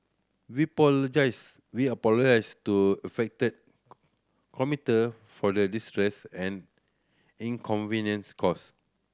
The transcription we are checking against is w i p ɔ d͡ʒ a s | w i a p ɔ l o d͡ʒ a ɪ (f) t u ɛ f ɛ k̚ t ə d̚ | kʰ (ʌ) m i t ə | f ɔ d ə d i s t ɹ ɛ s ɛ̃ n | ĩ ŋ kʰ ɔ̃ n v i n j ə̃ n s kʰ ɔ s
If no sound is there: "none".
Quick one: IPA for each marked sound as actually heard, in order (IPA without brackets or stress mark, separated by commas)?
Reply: s, ɔ